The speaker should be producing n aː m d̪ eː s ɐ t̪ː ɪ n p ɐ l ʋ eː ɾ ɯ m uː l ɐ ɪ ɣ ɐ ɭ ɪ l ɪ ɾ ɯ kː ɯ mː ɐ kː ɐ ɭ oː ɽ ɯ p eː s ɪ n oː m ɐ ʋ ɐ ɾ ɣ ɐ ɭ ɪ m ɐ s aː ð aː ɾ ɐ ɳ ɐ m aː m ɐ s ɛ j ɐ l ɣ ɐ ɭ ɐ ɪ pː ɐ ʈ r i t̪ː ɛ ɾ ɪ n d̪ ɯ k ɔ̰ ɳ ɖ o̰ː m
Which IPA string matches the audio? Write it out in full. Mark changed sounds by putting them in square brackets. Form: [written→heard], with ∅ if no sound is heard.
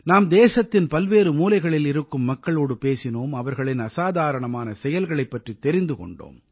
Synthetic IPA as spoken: n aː m d̪ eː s ɐ t̪ː ɪ n p ɐ l ʋ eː ɾ ɯ m uː l ɐ ɪ ɣ ɐ ɭ ɪ l ɪ ɾ ɯ kː ɯ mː ɐ kː ɐ ɭ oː ɽ ɯ p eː s ɪ n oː m ɐ ʋ ɐ ɾ ɣ ɐ ɭ ɪ [m→n] ɐ s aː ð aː ɾ ɐ ɳ ɐ m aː [m→n] ɐ s ɛ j ɐ l ɣ ɐ ɭ ɐ ɪ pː ɐ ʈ r i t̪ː ɛ ɾ ɪ n d̪ ɯ k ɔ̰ ɳ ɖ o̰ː m

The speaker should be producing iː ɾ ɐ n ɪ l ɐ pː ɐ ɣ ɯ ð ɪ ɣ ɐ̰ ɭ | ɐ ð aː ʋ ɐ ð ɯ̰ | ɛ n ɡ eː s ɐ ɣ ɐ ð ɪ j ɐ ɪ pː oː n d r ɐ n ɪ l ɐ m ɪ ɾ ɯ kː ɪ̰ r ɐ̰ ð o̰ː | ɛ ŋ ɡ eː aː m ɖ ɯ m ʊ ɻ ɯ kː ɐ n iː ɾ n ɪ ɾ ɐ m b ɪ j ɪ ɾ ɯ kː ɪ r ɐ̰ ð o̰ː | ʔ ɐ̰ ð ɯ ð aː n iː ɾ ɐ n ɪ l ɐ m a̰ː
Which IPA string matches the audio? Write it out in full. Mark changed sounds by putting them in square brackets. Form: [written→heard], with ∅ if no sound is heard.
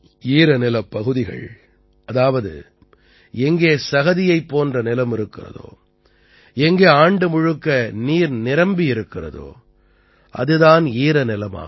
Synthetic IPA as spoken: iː ɾ ɐ n ɪ l ɐ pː ɐ ɣ ɯ ð ɪ ɣ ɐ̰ ɭ | ɐ ð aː ʋ ɐ ð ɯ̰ | ɛ [n→ŋ] ɡ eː s ɐ ɣ ɐ ð ɪ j ɐ ɪ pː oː n d r ɐ n ɪ l ɐ m ɪ ɾ ɯ kː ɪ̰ r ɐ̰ ð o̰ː | ɛ ŋ ɡ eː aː [m→ɳ] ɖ ɯ m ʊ ɻ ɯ kː ɐ n iː ɾ n ɪ ɾ ɐ m b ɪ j ɪ ɾ ɯ kː ɪ r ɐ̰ ð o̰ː | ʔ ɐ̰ ð ɯ ð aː n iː ɾ ɐ n ɪ l ɐ m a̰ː

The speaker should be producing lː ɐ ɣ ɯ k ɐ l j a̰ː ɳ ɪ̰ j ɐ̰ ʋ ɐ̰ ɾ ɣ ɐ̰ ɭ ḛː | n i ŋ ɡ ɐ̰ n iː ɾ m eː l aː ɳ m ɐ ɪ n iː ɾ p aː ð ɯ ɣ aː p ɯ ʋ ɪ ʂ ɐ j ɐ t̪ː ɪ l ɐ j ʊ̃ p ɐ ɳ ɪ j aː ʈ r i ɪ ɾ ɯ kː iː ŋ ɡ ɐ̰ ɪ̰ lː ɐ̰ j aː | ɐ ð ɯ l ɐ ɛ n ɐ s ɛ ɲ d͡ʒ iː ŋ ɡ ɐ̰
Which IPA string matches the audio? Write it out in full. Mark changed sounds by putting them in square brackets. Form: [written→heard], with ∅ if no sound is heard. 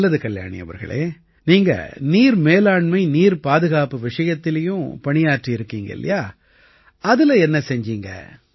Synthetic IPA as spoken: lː ɐ [ɣ→ð] ɯ k ɐ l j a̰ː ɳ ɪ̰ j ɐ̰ ʋ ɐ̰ ɾ ɣ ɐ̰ ɭ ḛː | n [i→iː] ŋ ɡ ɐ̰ n iː ɾ m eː l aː ɳ m ɐ ɪ n iː ɾ p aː ð ɯ ɣ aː p ɯ ʋ ɪ ʂ ɐ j ɐ t̪ː ɪ l ɐ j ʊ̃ p ɐ ɳ ɪ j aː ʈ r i ɪ ɾ ɯ kː iː ŋ ɡ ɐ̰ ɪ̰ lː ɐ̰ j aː | ɐ ð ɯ l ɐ ɛ [n→nː] ɐ s ɛ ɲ d͡ʒ iː ŋ ɡ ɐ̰

